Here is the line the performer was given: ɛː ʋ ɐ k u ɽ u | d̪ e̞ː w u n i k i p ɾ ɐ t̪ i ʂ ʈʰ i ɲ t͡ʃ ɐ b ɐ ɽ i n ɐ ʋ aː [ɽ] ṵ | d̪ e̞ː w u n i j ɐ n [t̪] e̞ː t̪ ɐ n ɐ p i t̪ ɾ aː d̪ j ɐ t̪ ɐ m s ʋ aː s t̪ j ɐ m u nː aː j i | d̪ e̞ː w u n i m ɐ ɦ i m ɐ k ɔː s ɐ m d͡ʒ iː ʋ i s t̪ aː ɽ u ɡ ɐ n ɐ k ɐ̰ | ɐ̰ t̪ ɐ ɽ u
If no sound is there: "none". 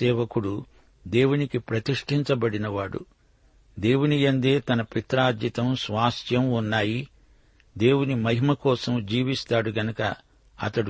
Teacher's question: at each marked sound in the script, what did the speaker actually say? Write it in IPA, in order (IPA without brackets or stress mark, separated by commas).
ɽ, d̪